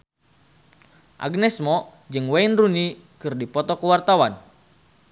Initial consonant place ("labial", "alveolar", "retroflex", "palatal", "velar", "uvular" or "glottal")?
glottal